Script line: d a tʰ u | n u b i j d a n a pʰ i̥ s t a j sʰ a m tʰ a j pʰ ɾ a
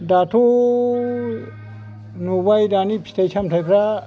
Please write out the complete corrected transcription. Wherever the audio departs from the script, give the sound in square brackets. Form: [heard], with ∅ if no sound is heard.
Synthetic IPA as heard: d a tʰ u | n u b [a] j d a n [i] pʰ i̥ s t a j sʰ a m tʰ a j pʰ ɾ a